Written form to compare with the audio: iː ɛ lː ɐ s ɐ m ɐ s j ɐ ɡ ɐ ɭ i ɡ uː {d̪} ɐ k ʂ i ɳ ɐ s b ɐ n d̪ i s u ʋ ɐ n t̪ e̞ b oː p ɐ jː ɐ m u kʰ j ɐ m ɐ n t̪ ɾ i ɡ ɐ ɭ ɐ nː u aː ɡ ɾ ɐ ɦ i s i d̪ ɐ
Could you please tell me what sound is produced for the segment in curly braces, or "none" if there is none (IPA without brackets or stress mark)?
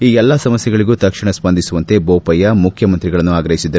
t̪